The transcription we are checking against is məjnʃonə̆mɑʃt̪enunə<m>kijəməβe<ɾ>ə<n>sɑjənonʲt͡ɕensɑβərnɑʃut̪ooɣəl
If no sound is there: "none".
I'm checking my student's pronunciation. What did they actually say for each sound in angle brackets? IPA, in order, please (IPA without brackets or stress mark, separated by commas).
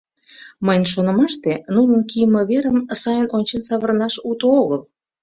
n, ɾ, m